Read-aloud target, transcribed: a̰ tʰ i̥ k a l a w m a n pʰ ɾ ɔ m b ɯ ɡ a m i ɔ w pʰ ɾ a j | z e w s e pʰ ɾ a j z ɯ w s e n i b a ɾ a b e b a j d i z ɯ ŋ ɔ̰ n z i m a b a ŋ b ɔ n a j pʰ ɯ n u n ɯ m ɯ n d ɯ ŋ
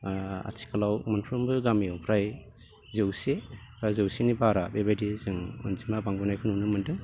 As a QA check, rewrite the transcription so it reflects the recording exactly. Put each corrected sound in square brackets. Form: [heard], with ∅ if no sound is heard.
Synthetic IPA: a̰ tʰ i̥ k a l a w m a n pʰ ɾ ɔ m b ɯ ɡ a m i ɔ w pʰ ɾ a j | z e w s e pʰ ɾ a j z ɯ w s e n i b a ɾ a b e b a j d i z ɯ ŋ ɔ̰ n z i m a b a ŋ b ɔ n a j [kʰ] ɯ n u n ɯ m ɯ n d ɯ ŋ